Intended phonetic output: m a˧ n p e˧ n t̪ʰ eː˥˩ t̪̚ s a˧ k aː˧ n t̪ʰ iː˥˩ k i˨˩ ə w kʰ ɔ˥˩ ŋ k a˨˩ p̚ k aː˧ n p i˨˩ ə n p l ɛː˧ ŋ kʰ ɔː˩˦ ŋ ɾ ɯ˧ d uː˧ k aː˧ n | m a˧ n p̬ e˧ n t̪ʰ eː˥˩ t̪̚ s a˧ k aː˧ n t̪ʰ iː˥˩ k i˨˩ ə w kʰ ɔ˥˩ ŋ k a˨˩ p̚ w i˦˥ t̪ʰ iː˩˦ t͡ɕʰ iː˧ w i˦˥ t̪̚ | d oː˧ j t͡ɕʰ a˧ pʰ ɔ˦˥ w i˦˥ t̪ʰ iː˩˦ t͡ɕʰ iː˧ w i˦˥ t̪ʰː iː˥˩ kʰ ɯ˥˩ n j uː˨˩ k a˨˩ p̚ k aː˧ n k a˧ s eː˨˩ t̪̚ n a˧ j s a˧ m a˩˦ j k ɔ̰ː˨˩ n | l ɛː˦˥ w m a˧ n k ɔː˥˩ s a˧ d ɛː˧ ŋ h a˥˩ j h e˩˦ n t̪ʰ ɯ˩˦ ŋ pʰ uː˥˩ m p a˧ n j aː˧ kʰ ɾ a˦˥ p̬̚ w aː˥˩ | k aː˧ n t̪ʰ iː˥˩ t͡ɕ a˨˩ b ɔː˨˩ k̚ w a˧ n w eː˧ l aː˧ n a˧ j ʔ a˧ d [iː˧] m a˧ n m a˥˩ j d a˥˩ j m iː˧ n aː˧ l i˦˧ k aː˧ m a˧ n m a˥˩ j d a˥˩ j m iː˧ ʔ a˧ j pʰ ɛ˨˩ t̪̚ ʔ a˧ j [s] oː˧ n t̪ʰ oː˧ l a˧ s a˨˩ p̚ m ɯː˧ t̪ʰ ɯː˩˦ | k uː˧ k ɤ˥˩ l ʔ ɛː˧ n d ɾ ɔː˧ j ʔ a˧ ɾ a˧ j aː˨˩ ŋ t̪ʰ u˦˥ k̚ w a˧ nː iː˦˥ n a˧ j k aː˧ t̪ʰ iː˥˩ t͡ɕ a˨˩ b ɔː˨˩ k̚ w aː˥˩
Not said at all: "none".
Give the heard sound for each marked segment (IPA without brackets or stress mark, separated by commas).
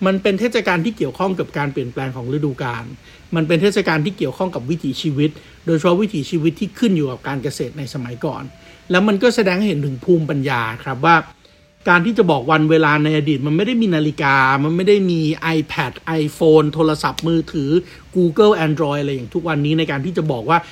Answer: iː˨˩, f